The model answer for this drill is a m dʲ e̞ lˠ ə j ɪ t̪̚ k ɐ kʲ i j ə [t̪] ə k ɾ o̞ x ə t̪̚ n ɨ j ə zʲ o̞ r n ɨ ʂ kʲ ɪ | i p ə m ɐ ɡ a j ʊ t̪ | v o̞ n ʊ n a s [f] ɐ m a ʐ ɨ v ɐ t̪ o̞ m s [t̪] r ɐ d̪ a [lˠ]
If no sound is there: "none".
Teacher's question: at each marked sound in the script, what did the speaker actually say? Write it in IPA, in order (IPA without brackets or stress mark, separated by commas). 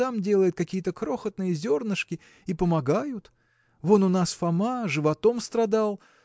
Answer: t̪, f, t̪, lˠ